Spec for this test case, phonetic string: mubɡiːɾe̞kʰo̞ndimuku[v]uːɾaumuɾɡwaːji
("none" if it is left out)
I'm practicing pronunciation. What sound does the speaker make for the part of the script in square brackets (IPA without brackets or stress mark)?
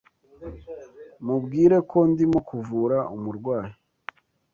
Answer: v